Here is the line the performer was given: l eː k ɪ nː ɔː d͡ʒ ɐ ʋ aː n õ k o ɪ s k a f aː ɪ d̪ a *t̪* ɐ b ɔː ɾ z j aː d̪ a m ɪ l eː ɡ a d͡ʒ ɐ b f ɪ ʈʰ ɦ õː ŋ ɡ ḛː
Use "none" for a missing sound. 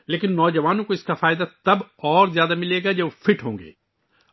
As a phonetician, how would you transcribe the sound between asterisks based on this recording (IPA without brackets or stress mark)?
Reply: t̪